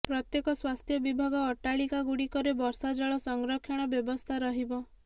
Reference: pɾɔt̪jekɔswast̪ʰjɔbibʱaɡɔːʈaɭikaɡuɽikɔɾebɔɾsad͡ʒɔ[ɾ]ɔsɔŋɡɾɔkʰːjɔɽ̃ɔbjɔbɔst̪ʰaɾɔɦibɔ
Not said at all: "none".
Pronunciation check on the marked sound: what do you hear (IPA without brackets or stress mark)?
ɭ